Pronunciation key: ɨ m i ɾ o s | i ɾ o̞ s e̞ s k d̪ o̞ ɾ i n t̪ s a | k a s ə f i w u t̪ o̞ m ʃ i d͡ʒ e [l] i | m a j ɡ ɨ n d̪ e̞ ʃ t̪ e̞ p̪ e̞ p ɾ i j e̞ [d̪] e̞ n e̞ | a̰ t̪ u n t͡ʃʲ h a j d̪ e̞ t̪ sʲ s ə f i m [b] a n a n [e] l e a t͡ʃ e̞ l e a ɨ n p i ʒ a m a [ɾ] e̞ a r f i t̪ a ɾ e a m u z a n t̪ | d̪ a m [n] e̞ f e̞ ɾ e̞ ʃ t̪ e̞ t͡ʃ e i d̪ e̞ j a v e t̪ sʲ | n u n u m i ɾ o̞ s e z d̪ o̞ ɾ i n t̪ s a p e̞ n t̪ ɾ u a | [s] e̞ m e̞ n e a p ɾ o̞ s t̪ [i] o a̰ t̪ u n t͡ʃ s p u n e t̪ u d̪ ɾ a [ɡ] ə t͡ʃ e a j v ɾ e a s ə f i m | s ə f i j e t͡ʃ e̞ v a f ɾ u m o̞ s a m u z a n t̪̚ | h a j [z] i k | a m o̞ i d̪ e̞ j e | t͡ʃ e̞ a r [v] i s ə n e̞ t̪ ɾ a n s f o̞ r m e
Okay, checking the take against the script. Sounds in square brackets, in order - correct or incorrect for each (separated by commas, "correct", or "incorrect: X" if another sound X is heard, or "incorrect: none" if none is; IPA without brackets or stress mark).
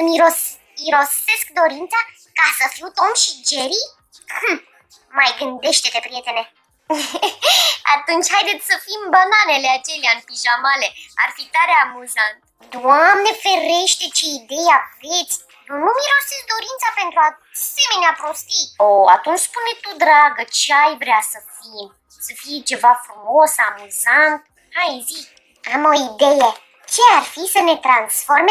incorrect: ɾ, incorrect: t̪, correct, correct, incorrect: l, correct, correct, correct, correct, correct, incorrect: f